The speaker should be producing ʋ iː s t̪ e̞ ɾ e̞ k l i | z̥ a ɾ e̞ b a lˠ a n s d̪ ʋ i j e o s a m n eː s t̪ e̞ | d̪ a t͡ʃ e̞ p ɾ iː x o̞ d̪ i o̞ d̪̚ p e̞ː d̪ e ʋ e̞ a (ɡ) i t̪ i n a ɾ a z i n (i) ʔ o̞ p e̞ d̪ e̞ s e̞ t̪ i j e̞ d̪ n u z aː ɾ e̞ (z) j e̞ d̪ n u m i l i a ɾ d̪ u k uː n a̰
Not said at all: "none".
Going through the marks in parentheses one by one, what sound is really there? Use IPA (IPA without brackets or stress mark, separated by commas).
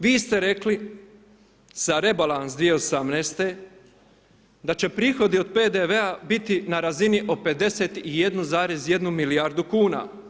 b, i, z